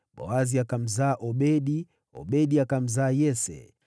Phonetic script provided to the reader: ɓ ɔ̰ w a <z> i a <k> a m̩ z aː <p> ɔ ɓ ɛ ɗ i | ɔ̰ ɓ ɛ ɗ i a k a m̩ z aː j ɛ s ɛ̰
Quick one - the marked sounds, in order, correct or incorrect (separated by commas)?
correct, correct, incorrect